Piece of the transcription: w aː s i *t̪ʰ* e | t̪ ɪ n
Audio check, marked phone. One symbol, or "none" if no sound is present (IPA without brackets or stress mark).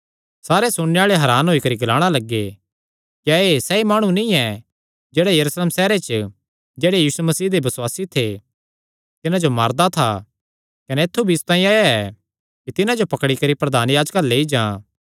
t̪ʰ